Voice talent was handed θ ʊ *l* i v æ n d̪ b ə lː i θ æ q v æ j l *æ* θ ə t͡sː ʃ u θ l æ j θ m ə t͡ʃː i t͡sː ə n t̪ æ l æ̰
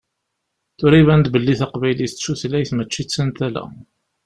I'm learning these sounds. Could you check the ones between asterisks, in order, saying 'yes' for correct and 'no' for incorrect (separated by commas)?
no, no